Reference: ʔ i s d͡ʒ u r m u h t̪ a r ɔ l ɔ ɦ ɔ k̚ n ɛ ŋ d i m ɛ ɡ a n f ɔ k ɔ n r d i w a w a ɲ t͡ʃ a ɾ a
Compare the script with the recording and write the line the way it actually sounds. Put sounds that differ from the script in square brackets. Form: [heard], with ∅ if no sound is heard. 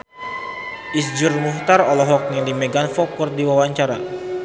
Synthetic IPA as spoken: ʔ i s d͡ʒ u r m u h t̪ a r ɔ l ɔ ɦ ɔ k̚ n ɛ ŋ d i m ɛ ɡ a n f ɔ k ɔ [∅] r d i w a w a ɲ t͡ʃ a ɾ a